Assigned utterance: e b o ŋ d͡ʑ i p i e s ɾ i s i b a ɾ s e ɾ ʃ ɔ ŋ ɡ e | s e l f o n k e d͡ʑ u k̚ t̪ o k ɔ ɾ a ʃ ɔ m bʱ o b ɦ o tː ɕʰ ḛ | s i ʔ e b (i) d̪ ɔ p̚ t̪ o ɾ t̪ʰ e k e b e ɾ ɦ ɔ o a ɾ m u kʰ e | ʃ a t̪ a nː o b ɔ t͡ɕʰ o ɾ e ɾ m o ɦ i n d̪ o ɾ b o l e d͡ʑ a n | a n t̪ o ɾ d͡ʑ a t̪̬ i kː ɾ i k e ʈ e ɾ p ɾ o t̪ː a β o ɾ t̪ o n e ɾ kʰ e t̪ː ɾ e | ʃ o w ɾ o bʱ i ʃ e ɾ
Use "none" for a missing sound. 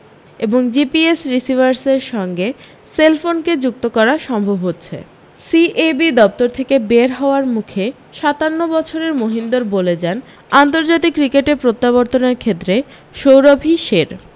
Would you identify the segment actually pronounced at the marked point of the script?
i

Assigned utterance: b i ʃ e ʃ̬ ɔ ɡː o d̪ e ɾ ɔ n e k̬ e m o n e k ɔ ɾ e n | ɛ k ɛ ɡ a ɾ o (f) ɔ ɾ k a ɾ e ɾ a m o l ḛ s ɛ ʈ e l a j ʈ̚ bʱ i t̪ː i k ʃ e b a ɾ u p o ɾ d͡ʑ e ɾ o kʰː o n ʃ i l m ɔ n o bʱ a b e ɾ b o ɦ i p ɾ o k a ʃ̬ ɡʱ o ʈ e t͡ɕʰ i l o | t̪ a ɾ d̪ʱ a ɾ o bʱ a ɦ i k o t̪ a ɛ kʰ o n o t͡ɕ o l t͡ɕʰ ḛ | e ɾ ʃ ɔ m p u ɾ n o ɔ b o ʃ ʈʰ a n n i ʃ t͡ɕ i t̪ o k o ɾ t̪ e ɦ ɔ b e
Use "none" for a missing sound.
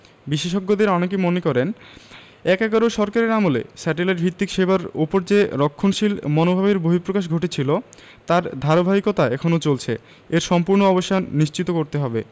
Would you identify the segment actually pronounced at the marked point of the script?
ʃ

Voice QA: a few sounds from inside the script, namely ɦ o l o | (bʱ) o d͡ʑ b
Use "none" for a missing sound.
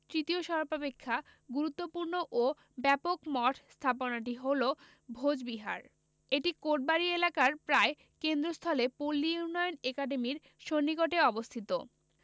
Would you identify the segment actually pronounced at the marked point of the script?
bʱ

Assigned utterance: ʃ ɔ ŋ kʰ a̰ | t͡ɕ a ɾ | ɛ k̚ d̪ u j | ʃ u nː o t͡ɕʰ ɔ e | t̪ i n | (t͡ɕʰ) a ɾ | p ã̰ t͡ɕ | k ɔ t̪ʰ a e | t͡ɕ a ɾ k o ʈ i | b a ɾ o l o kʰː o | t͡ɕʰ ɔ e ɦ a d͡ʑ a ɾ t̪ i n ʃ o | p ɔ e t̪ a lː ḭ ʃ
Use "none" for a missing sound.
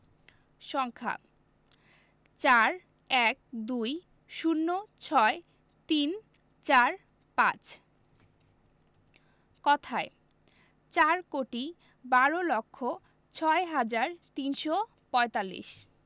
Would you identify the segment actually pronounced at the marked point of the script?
t͡ɕ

